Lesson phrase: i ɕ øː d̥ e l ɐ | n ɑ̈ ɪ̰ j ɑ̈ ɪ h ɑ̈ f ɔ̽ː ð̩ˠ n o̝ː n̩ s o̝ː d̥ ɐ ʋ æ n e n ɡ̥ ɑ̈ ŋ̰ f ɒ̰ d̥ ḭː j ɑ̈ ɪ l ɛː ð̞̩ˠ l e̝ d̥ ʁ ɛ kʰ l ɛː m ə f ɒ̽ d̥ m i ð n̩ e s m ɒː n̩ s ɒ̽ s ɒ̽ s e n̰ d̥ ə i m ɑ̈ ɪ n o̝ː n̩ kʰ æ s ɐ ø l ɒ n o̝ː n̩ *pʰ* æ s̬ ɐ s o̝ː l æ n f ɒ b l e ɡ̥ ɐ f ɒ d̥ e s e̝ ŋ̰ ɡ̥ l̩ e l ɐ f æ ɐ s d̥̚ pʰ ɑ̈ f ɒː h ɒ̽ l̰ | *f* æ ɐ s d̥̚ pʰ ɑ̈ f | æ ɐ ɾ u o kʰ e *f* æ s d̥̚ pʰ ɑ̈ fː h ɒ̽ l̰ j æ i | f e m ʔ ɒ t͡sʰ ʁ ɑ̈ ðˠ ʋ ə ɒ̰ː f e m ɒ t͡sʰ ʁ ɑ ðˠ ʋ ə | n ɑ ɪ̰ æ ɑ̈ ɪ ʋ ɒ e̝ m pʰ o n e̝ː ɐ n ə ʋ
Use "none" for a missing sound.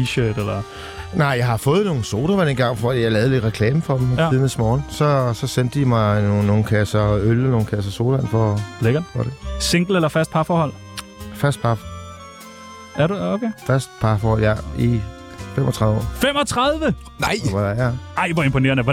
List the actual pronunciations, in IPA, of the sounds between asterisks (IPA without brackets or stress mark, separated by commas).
kʰ, f, f